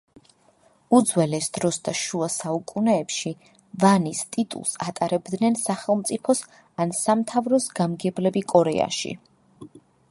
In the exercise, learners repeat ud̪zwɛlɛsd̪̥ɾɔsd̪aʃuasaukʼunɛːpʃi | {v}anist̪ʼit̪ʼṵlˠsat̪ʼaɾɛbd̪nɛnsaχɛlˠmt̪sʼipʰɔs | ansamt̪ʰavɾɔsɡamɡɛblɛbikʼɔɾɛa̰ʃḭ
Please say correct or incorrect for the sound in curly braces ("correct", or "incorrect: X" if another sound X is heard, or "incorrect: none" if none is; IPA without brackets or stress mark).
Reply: correct